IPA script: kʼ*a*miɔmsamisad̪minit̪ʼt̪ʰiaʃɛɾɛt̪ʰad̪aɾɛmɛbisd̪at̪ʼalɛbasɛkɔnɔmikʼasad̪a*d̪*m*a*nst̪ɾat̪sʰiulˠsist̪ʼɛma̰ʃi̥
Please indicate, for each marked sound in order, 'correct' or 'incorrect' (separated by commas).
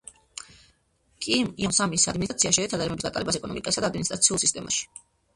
incorrect, correct, incorrect